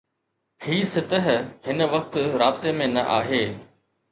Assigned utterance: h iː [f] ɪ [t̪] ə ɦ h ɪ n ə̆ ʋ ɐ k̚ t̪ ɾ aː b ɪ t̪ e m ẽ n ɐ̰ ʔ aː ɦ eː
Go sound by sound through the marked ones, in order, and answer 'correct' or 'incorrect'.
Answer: incorrect, correct

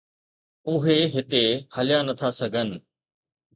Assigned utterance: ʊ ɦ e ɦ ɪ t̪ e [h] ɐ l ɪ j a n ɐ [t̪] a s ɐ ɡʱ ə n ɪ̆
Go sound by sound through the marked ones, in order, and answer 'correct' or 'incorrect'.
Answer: correct, incorrect

